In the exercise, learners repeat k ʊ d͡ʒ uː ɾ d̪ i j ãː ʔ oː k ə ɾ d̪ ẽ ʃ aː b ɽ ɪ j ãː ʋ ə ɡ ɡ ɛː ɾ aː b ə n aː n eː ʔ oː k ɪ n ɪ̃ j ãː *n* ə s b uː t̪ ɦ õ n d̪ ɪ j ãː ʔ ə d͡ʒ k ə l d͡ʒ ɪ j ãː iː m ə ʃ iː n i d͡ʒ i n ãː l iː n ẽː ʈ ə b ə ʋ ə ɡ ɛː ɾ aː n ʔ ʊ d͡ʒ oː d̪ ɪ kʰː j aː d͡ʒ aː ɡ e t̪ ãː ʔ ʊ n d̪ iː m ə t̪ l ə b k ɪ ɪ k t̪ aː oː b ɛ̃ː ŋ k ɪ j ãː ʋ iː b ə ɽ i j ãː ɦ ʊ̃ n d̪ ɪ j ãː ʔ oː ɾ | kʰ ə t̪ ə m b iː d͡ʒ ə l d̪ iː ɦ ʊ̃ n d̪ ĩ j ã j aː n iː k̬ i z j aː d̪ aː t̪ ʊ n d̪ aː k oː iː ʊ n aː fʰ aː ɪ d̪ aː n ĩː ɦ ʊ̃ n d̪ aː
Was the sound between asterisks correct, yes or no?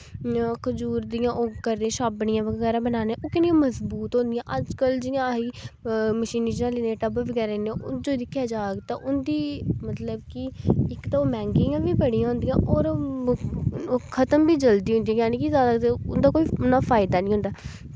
no